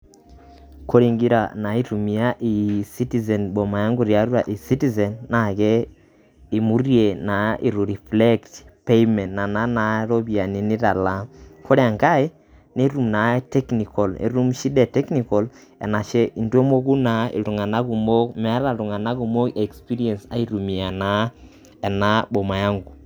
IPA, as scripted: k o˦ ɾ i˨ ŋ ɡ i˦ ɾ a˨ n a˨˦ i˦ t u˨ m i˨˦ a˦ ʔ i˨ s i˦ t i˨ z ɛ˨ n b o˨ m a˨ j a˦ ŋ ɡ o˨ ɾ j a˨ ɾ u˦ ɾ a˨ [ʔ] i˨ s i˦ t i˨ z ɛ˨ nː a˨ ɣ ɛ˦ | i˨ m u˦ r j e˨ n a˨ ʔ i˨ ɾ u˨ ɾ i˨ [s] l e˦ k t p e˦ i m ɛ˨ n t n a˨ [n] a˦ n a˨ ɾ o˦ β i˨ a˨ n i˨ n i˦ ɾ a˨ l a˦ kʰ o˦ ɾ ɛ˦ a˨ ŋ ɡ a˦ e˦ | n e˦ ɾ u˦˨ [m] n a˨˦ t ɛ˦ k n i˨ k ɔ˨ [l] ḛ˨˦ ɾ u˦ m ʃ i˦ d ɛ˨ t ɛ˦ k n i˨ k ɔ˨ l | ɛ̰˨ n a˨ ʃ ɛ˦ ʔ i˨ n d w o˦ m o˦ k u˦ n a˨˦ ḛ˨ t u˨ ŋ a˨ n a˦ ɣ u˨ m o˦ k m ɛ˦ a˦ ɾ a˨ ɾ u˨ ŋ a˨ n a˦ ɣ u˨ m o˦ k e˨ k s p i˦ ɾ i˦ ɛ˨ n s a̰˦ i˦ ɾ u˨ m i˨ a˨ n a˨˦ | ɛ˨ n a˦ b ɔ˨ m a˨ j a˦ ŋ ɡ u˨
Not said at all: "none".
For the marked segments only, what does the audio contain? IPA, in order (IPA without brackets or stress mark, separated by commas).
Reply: ʔ, f, n, m, l